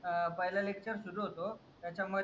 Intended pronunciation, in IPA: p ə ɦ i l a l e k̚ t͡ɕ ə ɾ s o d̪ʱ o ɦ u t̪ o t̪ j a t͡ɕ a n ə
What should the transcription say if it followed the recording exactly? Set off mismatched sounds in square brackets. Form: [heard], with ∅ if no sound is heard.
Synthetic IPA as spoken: p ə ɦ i l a l e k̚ t͡ɕ ə ɾ s [u] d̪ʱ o ɦ [o] t̪ o t̪ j a t͡ɕ a [m] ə